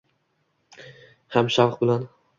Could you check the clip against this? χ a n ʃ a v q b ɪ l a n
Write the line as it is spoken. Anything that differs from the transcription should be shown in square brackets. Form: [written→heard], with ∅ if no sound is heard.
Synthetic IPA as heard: [χ→h] a [n→m] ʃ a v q b ɪ l a n